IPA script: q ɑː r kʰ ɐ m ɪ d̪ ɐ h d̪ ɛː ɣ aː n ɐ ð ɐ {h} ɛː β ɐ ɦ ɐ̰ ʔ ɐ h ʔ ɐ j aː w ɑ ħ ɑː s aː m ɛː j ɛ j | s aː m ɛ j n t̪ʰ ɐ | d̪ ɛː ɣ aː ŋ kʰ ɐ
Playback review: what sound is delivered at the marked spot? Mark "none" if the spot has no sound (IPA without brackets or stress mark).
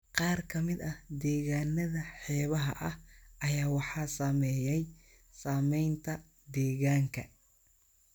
ħ